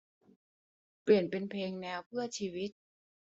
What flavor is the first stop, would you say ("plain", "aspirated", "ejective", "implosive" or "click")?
plain